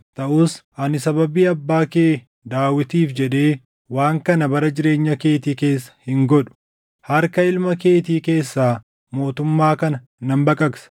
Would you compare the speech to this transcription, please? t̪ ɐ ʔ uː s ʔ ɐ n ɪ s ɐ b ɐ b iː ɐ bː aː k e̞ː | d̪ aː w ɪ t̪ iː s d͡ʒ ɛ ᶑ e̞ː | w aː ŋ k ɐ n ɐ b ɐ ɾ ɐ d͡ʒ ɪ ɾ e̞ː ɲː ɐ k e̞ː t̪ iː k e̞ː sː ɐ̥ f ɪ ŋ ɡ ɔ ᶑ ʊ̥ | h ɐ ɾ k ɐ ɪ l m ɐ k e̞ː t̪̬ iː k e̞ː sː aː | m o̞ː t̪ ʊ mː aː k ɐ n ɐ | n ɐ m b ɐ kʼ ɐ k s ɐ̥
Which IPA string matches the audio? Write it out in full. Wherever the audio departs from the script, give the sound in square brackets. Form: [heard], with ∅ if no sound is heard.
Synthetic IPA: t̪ ɐ ʔ uː s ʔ ɐ n ɪ s ɐ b ɐ b iː ɐ bː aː k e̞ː | d̪ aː w ɪ t̪ iː [f] d͡ʒ ɛ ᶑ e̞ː | w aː ŋ k ɐ n ɐ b ɐ ɾ ɐ d͡ʒ ɪ ɾ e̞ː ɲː ɐ k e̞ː t̪ iː k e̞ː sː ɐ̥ [h] ɪ ŋ ɡ ɔ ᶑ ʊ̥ | h ɐ ɾ k ɐ ɪ l m ɐ k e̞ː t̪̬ iː k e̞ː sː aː | m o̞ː t̪ ʊ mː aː k ɐ n ɐ | n ɐ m b ɐ kʼ ɐ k s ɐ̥